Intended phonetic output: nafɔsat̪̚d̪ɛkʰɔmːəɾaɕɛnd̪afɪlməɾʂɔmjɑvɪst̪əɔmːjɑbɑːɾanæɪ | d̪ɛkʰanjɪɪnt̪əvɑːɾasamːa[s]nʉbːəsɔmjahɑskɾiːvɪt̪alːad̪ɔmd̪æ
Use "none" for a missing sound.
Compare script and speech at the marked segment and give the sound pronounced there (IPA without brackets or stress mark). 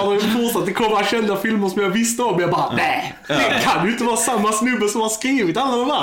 s